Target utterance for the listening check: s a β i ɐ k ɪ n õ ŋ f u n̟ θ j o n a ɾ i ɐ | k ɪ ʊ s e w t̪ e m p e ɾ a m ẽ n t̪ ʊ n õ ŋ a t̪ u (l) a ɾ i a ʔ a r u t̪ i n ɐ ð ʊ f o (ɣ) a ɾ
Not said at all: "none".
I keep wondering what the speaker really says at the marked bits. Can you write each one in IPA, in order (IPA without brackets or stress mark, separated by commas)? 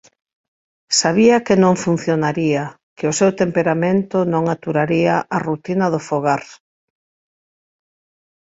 ɾ, ɣ